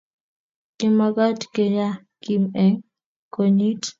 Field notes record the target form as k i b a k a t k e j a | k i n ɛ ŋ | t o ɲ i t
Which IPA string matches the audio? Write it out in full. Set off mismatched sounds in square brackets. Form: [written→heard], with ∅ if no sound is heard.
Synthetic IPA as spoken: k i [b→m] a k a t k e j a | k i [n→m] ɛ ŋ | [t→k] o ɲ i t